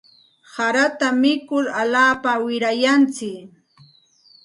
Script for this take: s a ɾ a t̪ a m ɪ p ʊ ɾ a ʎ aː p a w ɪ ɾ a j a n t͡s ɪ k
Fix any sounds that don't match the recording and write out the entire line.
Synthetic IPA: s a ɾ a t̪ a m ɪ k ʊ ɾ a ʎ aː p a w ɪ ɾ a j a n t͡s ɪ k

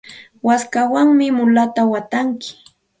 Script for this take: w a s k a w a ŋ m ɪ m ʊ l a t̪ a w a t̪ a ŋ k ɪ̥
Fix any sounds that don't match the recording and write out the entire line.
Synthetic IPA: w a s k a w a ŋ m ɪ m ʊ l a t̪ a w a t̪ a ŋ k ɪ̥

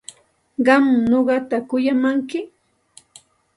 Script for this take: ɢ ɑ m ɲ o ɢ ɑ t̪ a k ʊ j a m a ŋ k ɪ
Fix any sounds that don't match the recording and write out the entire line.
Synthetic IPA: ɢ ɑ m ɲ o ɢ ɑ t̪ a k ʊ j a m a ŋ k ɪ

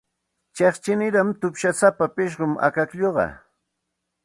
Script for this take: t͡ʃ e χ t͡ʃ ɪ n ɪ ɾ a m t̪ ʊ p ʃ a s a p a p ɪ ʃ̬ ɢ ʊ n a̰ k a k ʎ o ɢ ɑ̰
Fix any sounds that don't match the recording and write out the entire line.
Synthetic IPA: t͡ʃ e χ t͡ʃ ɪ n ɪ ɾ a m t̪ ʊ p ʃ a s a p a p ɪ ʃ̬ ɢ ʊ m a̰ k a k ʎ o ɢ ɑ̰

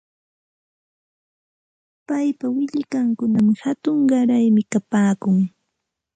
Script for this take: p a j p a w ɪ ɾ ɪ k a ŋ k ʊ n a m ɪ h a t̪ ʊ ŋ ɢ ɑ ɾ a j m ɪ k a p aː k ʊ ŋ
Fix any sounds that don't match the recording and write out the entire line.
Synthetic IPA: p a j p a w ɪ ʎ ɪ k a ŋ k ʊ n a m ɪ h a t̪ ʊ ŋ ɢ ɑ ɾ a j m ɪ k a p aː k ʊ ŋ

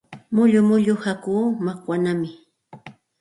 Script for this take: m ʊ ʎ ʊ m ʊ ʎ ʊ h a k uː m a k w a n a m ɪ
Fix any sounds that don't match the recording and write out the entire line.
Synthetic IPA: m ʊ ʎ ʊ m ʊ ʎ ʊ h a k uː m a k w a n a m ɪ

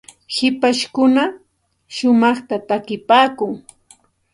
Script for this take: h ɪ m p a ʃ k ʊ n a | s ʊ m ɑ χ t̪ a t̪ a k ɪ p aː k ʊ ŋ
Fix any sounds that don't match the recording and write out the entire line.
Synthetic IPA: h ɪ p a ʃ k ʊ n a | ʃ ʊ m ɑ χ t̪ a t̪ a k ɪ p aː k ʊ ŋ

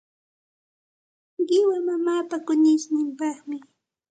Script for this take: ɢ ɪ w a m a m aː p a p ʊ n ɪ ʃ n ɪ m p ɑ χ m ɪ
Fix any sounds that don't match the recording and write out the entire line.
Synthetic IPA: ɢ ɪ w a m a m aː p a k ʊ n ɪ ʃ n ɪ m p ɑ χ m ɪ

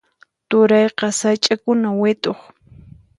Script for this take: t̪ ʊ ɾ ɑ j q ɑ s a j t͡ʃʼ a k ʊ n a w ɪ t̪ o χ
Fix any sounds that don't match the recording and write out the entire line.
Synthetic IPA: t̪ ʊ ɾ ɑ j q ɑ s a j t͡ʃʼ a k ʊ n a w ɪ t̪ o χ

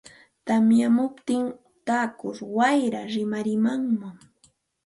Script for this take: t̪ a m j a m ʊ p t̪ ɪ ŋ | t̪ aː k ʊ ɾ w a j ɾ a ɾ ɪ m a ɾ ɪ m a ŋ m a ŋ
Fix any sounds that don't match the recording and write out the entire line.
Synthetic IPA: t̪ a m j a m ʊ p t̪ ɪ ŋ | t̪ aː k ʊ ɾ w a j ɾ a ɾ ɪ m a ɾ ɪ m a ŋ m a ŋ

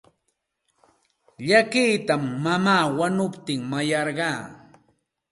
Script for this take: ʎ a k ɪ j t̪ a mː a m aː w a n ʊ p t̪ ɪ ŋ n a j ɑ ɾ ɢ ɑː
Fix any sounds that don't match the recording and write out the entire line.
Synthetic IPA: ʎ a k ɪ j t̪ a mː a m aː w a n ʊ p t̪ ɪ ŋ m a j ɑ ɾ ɢ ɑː

